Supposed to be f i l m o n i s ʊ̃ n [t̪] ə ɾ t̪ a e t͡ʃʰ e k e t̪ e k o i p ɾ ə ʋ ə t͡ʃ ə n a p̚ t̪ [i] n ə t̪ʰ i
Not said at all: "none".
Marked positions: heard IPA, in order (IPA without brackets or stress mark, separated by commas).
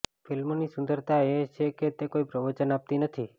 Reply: d̪, i